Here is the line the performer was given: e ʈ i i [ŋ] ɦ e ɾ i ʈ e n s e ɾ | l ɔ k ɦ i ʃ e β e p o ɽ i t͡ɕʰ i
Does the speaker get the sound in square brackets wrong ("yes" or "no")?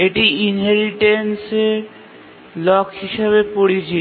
yes